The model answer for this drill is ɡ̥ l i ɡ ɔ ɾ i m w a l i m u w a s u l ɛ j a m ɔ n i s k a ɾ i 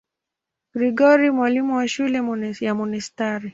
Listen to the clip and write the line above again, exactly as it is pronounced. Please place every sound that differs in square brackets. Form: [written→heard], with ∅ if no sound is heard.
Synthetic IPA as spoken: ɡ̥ [l→ɾ] i ɡ ɔ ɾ i m w a l i m u w a [s→ʃ] u l ɛ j a m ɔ n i s [k→t] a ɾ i